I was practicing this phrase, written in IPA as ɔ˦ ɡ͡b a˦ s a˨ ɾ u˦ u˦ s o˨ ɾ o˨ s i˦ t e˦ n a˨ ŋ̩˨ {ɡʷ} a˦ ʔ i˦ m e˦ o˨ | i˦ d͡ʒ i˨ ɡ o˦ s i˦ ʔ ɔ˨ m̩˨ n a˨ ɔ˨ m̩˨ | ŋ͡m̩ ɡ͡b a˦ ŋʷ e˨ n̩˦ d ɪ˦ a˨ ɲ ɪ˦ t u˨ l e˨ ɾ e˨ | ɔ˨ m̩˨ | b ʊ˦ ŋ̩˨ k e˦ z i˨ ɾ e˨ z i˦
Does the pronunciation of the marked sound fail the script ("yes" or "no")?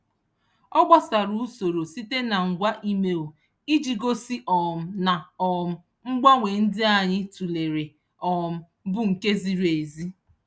no